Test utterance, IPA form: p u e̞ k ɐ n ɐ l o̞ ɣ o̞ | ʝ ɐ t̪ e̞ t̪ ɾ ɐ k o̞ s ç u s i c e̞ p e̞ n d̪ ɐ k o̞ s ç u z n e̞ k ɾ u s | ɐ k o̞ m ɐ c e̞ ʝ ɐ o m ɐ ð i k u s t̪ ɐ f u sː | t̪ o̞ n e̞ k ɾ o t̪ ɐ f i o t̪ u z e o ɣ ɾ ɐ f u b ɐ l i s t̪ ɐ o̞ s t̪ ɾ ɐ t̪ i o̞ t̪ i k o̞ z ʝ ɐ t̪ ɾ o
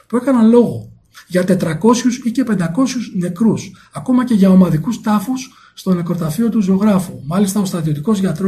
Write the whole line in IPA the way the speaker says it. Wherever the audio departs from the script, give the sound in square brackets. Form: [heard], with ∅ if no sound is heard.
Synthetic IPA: p u e̞ k ɐ n ɐ l o̞ ɣ o̞ | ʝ ɐ t̪ e̞ t̪ ɾ ɐ k o̞ s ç u s i c e̞ p e̞ n d̪ ɐ k o̞ s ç u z n e̞ k ɾ u s | ɐ k o̞ m ɐ c e̞ ʝ ɐ o m ɐ ð i k u s t̪ ɐ f u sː | t̪ o̞ n e̞ k ɾ o t̪ ɐ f i o t̪ u z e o ɣ ɾ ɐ f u [m] ɐ l i s t̪ ɐ o̞ s t̪ ɾ ɐ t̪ i o̞ t̪ i k o̞ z ʝ ɐ t̪ ɾ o